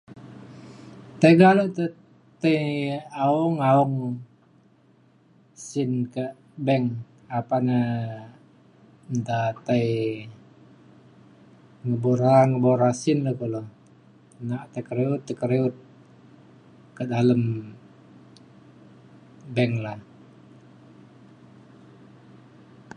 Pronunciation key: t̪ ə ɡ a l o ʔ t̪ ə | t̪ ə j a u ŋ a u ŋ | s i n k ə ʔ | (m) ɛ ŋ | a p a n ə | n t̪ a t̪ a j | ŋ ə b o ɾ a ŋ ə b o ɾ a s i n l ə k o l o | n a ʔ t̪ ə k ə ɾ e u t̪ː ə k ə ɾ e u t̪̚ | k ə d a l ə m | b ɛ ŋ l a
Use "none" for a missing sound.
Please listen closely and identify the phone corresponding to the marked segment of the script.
b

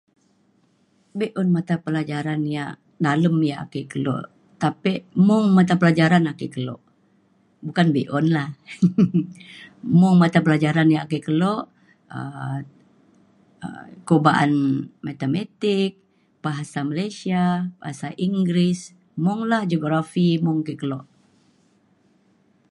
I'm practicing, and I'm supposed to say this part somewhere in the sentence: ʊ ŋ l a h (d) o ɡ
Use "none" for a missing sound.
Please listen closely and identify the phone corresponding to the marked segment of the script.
d͡ʒ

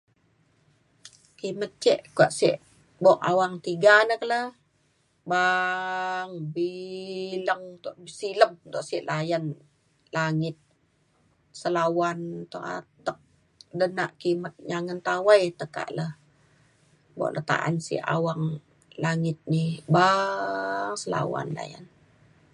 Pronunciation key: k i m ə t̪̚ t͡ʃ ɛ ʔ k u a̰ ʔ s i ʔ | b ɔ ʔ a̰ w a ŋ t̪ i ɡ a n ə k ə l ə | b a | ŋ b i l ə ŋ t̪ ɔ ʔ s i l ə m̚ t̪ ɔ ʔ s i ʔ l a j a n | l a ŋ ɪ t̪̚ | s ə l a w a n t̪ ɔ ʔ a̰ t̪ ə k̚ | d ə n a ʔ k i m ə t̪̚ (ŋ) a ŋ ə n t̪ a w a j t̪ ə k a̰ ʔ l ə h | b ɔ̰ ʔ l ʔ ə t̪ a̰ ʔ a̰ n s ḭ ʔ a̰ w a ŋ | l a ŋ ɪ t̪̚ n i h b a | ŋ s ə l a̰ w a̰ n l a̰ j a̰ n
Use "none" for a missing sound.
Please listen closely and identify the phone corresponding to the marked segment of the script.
ɲ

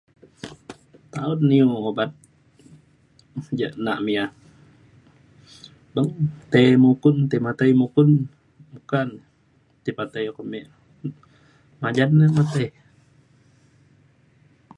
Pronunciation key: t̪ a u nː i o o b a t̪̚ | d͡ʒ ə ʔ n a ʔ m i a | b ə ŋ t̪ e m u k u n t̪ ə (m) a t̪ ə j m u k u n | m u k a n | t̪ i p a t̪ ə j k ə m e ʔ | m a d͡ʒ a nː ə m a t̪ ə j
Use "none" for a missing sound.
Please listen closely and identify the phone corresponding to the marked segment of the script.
m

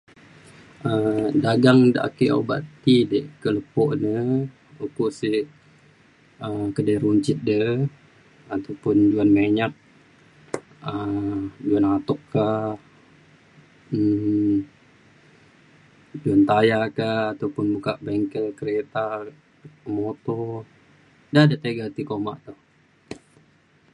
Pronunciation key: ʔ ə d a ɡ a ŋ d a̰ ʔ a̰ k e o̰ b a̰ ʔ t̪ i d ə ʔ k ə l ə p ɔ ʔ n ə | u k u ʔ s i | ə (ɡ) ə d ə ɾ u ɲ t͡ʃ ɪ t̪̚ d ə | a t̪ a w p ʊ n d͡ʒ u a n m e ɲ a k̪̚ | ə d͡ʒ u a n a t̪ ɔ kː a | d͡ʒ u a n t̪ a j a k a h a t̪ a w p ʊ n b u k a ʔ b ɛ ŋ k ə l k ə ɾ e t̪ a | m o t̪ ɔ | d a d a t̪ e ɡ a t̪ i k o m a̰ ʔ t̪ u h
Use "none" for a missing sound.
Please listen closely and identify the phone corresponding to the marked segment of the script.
k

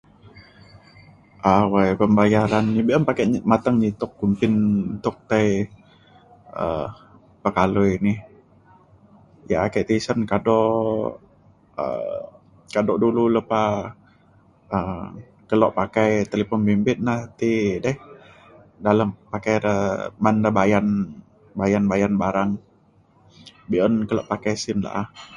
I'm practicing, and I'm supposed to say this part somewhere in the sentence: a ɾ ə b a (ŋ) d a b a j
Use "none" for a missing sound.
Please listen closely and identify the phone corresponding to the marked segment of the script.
n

